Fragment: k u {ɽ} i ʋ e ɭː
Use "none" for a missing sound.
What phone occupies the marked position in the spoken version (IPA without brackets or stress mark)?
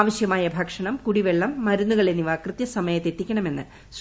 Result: ɽ